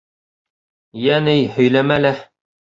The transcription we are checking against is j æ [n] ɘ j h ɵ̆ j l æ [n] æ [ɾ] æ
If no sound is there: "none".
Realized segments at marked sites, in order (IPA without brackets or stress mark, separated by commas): n, m, l